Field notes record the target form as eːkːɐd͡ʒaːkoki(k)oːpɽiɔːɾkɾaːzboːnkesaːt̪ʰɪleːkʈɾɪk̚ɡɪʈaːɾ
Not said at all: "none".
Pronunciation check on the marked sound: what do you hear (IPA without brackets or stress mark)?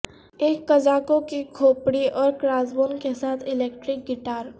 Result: kʰ